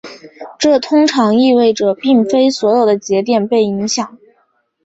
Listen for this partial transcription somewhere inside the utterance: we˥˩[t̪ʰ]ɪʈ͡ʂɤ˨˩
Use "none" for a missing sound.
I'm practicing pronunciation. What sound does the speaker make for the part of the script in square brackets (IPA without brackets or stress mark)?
none